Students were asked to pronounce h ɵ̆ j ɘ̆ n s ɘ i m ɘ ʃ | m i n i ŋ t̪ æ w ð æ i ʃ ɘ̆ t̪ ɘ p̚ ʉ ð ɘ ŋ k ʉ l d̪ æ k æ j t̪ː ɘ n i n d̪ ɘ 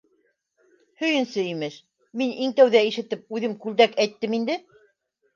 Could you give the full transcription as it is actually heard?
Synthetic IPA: h ɵ̆ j ɘ̆ n s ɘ i m ɘ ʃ | m i n i ŋ t̪ æ w ð æ i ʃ ɘ̆ t̪ ɘ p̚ ʉ ð ɘ m k ʉ l d̪ æ k æ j t̪ː ɘ m i n d̪ ɘ